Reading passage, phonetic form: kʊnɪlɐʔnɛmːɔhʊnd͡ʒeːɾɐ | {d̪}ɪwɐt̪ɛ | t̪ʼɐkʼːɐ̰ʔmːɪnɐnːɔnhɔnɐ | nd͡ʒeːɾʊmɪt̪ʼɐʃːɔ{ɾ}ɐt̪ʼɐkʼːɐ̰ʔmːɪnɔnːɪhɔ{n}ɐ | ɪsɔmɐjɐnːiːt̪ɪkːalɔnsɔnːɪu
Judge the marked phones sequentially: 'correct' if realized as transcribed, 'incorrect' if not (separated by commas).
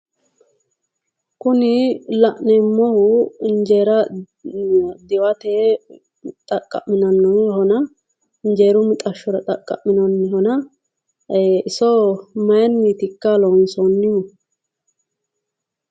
correct, correct, correct